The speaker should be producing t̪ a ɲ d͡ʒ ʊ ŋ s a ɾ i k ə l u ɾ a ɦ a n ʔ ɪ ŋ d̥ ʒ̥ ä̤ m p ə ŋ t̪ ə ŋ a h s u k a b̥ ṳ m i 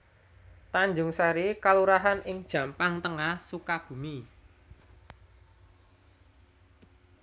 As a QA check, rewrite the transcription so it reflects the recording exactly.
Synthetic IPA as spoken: t̪ a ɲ d͡ʒ ʊ ŋ s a ɾ i k a l u ɾ a ɦ a n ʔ ɪ ŋ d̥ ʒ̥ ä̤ m p a ŋ t̪ ə ŋ a h s u k a b̥ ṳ m i